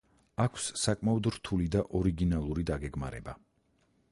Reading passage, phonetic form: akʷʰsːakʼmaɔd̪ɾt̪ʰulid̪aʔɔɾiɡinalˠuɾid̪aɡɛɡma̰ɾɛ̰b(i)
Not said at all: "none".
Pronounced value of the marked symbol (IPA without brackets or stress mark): a